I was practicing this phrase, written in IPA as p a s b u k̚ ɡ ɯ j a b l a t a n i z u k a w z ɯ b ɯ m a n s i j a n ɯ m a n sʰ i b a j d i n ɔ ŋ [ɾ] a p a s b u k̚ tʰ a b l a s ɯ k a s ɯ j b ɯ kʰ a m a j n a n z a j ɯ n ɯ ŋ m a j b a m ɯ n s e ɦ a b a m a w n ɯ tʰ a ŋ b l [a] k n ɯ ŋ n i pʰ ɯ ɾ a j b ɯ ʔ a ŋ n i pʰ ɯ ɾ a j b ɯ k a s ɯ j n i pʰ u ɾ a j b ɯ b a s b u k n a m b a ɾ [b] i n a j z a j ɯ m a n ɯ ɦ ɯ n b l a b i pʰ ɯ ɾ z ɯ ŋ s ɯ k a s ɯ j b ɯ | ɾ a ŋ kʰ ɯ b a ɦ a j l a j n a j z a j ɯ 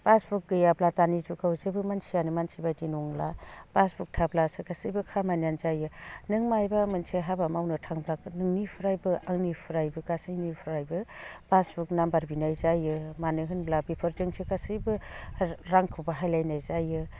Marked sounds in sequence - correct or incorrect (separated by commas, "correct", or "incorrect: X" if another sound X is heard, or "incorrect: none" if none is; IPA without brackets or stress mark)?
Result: incorrect: l, correct, correct